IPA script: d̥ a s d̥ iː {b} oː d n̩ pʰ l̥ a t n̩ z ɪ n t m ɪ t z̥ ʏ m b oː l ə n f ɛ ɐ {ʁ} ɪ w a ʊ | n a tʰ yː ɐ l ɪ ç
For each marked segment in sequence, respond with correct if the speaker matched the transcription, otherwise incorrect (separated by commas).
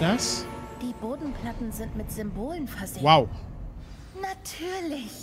correct, incorrect